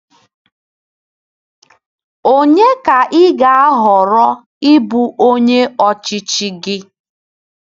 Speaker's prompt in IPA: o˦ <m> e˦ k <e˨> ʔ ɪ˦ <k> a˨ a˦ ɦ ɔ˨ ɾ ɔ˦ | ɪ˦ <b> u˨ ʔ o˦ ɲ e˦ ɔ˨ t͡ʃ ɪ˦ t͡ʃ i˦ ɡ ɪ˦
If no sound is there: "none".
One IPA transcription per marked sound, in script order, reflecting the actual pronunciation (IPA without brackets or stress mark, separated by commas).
ɲ, a˨, ɡ, b